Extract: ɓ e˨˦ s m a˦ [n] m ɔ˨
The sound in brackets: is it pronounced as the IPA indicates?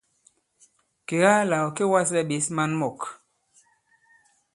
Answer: yes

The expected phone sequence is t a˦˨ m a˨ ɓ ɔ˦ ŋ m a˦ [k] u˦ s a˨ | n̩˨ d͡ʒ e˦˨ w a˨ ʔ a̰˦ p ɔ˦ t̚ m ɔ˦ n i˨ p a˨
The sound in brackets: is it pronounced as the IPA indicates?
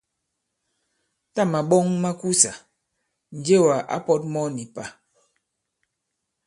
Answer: yes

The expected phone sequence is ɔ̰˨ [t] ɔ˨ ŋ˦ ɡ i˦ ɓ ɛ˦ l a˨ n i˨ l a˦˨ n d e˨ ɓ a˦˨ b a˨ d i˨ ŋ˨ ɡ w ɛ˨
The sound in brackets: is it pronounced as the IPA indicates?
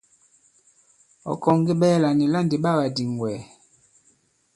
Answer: no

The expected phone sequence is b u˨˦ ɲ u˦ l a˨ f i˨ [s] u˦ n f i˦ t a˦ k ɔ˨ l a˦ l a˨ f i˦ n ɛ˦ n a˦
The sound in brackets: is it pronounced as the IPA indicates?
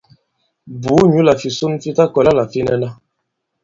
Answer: yes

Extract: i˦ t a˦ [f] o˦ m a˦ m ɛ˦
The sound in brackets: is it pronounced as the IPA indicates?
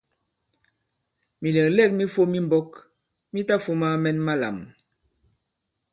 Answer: yes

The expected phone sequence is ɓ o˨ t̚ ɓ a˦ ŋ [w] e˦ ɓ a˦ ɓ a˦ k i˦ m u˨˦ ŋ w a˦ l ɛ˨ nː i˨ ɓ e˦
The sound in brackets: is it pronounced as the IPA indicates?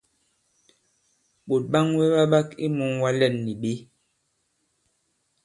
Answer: yes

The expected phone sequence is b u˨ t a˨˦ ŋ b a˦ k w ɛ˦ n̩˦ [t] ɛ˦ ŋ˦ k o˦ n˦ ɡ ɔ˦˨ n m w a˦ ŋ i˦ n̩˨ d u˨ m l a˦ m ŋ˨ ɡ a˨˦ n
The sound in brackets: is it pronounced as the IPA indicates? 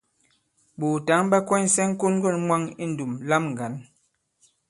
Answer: no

